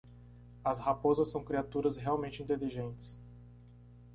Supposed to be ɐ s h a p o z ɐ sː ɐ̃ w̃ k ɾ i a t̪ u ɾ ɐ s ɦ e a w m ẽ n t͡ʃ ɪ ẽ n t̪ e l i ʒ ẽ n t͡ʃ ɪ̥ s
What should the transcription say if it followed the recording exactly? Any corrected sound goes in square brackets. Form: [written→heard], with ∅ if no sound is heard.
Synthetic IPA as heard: ɐ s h a p o z ɐ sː ɐ̃ w̃ k ɾ i a t̪ u ɾ ɐ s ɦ e a w m ẽ n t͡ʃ ɪ [ẽ→ĩ] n t̪ e l i ʒ ẽ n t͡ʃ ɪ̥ s